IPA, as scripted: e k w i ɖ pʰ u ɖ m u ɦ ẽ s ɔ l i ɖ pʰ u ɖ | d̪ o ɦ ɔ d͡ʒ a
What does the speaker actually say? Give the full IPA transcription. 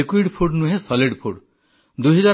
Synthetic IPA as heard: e k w i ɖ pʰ u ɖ n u ɦ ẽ s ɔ l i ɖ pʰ u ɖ | d̪ u ɦ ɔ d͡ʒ a